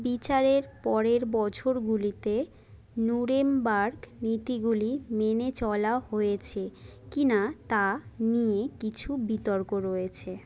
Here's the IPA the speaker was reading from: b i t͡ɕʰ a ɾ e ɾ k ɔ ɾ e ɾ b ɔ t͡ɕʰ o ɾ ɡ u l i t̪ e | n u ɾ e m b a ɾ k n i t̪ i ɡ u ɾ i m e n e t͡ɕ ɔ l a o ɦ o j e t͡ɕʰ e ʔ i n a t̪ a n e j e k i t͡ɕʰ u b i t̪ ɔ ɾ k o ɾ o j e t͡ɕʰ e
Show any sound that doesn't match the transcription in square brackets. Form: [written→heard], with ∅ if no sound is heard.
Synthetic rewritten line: b i [t͡ɕʰ→t͡ɕ] a ɾ e ɾ [k→p] ɔ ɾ e ɾ b ɔ t͡ɕʰ o ɾ ɡ u l i t̪ e | n u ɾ e m b a ɾ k n i t̪ i ɡ u [ɾ→l] i m e n e t͡ɕ ɔ l a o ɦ o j e t͡ɕʰ e [ʔ→k] i n a t̪ a n [e→i] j e k i t͡ɕʰ u b i t̪ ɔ ɾ k o ɾ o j e t͡ɕʰ e